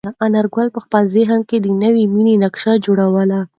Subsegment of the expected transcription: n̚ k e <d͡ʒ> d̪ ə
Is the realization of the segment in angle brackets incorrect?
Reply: yes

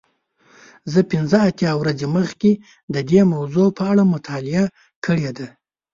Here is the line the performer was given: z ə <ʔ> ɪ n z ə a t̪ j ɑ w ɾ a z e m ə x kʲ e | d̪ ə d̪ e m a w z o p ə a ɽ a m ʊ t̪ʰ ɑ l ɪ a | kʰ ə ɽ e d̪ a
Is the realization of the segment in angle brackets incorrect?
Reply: yes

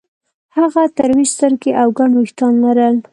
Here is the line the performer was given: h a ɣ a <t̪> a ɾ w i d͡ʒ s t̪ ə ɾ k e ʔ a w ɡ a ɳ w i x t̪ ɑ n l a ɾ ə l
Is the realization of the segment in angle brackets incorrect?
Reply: no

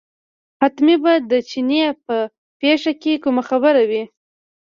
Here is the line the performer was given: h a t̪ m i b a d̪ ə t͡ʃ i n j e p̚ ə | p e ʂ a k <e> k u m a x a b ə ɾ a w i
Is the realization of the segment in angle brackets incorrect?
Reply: no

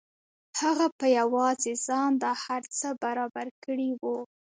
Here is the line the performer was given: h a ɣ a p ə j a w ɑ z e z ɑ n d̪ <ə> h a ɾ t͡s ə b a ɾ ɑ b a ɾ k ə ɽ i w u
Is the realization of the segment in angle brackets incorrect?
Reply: yes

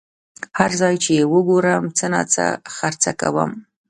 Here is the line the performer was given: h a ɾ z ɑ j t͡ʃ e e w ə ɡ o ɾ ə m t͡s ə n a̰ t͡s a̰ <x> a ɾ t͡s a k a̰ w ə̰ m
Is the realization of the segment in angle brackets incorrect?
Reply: no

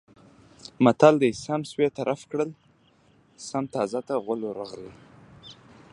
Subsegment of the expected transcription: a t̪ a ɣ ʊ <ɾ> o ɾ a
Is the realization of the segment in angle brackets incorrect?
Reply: yes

